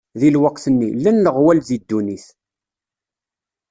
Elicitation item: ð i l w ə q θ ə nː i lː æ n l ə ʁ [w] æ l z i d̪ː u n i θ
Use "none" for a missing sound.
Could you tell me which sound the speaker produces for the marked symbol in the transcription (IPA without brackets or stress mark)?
w